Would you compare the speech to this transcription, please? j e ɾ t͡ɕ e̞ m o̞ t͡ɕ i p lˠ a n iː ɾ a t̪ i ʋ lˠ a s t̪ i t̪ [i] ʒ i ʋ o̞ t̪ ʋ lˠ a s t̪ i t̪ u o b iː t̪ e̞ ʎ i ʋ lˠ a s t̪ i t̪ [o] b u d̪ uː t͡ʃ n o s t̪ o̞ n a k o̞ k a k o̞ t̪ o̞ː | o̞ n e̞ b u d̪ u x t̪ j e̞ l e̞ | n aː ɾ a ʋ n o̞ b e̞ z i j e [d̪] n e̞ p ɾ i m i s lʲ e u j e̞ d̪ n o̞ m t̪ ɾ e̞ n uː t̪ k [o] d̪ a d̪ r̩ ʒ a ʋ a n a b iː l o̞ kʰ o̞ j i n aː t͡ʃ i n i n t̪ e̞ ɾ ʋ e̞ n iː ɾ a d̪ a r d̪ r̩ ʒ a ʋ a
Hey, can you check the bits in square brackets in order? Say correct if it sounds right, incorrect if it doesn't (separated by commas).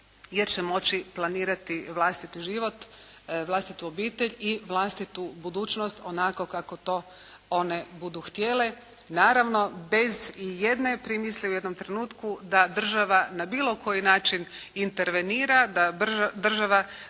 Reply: correct, incorrect, correct, incorrect